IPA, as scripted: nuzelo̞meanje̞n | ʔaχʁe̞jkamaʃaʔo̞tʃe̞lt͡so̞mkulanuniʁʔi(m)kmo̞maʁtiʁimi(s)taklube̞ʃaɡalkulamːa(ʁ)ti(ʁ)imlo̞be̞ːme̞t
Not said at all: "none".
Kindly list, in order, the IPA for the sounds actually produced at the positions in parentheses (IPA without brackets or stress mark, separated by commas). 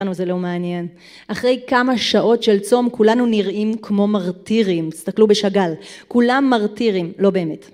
m, s, ʁ, ʁ